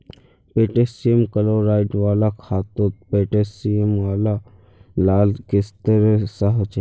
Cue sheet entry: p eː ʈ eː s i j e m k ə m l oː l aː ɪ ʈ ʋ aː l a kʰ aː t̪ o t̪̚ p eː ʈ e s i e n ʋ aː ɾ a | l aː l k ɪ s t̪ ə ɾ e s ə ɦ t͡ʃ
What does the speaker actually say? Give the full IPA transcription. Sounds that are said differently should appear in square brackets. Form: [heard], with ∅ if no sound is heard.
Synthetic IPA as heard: p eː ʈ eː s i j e m k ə [∅] l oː [ɾ] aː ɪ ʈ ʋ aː l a kʰ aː t̪ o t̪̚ p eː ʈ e s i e [m] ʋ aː [l] a | l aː l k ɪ s t̪ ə ɾ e s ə ɦ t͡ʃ